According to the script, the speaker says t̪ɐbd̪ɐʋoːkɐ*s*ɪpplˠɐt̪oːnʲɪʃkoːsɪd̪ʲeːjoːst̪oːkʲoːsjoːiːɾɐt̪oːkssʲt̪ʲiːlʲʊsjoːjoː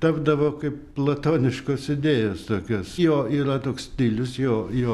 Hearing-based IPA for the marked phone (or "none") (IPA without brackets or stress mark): none